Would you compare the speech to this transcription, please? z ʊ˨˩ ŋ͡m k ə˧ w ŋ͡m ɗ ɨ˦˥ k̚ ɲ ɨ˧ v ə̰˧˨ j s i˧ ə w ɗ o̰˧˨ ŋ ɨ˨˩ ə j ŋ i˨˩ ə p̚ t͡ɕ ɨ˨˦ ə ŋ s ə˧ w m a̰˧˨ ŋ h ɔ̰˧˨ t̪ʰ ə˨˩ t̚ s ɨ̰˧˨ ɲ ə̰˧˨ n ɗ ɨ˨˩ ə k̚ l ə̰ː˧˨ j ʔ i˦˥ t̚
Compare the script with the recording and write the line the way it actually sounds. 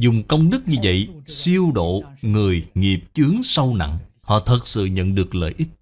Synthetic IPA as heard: z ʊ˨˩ ŋ͡m k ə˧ w ŋ͡m ɗ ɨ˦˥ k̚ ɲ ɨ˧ v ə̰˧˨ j s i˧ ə w ɗ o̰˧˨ ŋ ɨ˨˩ ə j ŋ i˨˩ ə p̚ t͡ɕ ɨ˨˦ ə ŋ s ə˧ w n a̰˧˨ ŋ h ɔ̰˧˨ t̪ʰ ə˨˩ t̚ s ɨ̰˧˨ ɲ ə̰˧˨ n ɗ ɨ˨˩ ə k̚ l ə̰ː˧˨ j ʔ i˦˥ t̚